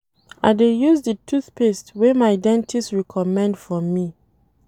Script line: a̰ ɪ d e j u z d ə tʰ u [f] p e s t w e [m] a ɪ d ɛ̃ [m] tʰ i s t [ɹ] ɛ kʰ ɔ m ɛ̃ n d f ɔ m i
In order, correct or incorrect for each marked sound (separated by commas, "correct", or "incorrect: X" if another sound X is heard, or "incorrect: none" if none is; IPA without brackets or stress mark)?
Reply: incorrect: θ, correct, incorrect: n, correct